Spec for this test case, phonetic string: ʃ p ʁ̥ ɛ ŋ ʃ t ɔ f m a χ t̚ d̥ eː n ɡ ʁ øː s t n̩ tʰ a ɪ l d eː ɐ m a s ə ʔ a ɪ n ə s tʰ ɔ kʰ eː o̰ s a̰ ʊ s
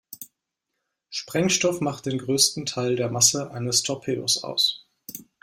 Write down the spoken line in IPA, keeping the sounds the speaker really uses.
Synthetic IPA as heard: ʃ p ʁ̥ ɛ ŋ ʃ t ɔ f m a χ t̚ d̥ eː n ɡ ʁ øː s t n̩ tʰ a ɪ l d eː ɐ m a s ə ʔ a ɪ n ə s tʰ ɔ pʰ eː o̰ s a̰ ʊ s